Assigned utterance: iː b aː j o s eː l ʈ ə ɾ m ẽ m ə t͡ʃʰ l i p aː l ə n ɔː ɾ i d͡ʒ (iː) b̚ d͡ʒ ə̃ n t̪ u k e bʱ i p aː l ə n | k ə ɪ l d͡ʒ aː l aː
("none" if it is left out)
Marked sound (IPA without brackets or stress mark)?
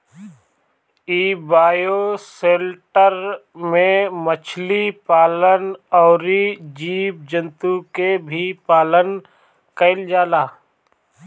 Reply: iː